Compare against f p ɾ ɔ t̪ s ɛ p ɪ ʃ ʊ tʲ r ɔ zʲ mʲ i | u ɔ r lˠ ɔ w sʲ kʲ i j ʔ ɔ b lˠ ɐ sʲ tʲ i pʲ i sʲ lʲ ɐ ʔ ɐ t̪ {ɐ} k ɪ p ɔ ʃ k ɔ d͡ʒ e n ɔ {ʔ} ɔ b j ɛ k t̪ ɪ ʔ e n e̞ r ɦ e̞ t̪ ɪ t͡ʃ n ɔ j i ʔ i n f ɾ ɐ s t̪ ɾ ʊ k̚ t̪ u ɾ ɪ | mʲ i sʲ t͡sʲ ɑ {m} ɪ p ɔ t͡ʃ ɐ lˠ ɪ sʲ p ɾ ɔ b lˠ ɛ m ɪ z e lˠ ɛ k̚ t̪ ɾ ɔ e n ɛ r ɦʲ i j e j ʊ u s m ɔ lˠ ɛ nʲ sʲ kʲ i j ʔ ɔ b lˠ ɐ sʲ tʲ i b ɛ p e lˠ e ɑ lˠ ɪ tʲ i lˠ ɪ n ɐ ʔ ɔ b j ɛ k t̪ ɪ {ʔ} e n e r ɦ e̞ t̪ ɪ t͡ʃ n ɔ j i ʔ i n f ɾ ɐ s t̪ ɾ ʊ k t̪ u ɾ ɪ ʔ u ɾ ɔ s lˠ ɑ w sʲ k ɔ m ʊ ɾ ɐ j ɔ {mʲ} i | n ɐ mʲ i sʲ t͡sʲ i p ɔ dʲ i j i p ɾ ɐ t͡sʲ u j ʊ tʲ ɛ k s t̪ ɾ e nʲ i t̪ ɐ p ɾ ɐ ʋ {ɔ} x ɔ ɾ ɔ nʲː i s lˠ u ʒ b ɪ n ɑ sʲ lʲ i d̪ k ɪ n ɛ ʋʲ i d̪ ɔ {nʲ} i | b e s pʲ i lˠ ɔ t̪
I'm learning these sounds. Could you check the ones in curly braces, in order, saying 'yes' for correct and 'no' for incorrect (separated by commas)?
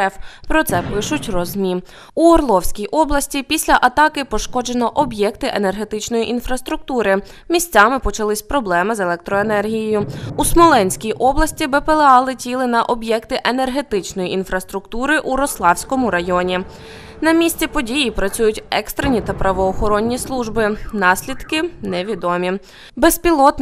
no, yes, yes, yes, no, no, no